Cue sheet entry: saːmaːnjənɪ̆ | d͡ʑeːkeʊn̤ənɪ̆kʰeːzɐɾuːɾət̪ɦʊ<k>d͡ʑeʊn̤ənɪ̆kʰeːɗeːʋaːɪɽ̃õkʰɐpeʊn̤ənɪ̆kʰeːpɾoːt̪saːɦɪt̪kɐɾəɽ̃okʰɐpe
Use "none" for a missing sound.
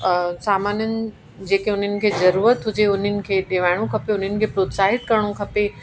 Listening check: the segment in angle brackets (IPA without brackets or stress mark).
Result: none